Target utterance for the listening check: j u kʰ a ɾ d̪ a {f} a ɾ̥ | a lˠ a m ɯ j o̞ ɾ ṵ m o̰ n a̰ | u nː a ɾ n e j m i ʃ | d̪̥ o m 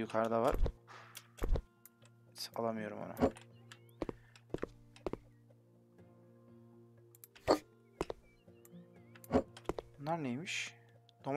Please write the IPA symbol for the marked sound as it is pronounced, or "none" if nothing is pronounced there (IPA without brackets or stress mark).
v